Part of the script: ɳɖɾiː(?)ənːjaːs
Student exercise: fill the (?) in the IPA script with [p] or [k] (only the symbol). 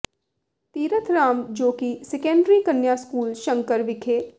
k